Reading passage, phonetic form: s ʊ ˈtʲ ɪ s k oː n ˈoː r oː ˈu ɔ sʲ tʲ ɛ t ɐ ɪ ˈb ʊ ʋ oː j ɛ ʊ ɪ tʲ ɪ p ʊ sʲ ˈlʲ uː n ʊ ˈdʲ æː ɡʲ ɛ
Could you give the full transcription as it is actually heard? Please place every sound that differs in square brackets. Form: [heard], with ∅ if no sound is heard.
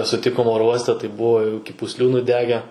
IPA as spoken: s ʊ ˈtʲ ɪ [∅] k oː [m] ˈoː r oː ˈu ɔ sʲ tʲ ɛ t ɐ ɪ ˈb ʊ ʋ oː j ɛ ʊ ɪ [kʲ] ɪ p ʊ sʲ ˈlʲ uː n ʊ ˈdʲ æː ɡʲ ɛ